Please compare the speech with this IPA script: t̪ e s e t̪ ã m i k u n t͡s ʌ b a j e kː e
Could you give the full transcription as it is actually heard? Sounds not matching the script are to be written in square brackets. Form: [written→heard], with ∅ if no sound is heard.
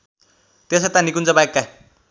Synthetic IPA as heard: t̪ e s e t̪ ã [m→n] i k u n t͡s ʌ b a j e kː [e→a]